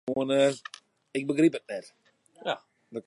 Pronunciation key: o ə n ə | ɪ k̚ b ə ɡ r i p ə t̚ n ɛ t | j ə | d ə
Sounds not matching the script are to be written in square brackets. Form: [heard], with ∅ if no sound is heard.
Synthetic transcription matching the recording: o ə n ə | ɪ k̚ b ə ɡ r i p ə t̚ n ɛ t | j [a] | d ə

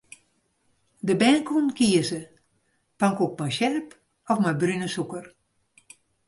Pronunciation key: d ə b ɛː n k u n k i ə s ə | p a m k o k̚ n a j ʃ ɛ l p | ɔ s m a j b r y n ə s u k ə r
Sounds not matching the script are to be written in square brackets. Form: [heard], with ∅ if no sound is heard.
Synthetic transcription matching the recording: d ə b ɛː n k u n k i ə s ə | p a [ŋ] k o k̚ [m] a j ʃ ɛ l p | ɔ [f] m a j b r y n ə s u k ə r

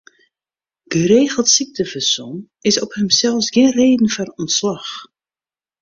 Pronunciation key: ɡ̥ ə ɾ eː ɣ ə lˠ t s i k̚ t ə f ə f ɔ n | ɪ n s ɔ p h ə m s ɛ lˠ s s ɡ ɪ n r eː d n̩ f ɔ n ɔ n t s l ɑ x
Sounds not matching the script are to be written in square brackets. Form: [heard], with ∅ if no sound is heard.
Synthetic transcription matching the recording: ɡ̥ ə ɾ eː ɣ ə lˠ t s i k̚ t ə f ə [s] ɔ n | ɪ [∅] s ɔ p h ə m s ɛ lˠ [f] s ɡ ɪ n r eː d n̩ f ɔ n ɔ n t s l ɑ x

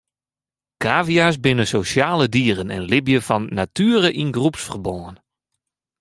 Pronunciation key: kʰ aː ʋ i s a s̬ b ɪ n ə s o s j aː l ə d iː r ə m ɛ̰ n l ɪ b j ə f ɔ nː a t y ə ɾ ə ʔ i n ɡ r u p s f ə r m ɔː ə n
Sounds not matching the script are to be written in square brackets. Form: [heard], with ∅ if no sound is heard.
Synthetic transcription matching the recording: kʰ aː [v] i [∅] a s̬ b ɪ n ə s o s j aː l ə d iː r ə [n] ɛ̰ n l ɪ b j ə f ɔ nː a t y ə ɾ ə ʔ i n ɡ r u p s f ə r [b] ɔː ə n

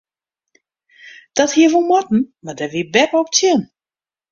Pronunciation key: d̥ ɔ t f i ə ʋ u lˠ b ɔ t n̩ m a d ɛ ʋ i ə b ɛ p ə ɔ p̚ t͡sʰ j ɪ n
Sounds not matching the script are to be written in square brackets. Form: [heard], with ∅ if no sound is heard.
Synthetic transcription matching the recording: d̥ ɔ t [h] i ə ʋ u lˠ [m] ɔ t n̩ m a d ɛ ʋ i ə b ɛ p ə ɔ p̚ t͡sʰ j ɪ n

